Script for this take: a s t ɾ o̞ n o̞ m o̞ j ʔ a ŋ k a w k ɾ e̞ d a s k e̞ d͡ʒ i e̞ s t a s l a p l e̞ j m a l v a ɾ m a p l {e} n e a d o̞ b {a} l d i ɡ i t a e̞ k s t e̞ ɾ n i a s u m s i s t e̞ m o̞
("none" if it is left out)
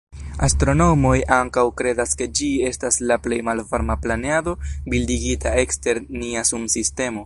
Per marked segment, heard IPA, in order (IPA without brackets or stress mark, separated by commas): a, i